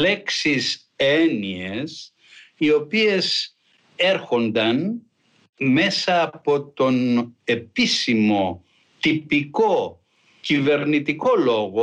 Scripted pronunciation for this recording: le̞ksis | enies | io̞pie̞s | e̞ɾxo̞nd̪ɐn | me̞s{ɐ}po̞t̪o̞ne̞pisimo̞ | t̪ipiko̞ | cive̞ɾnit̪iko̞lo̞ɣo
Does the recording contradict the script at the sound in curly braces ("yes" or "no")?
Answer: yes